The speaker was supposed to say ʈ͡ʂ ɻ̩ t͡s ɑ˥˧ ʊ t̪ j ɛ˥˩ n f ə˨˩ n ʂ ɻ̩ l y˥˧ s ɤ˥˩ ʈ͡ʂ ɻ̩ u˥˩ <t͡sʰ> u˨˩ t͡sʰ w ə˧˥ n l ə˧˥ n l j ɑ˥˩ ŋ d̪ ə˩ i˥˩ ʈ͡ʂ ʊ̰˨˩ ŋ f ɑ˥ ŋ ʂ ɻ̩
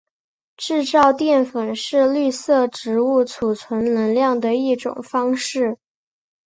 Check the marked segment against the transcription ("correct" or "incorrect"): correct